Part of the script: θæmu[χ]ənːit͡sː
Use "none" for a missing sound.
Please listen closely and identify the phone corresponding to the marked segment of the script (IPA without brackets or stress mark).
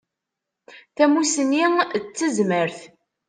s